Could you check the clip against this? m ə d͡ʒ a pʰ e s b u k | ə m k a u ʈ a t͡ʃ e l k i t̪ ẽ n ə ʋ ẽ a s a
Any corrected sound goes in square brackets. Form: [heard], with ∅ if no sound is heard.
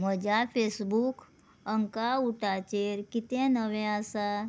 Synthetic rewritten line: m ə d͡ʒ a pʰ e s b u k | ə [ŋ] k a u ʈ a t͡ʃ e [ɾ] k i t̪ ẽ n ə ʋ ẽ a s a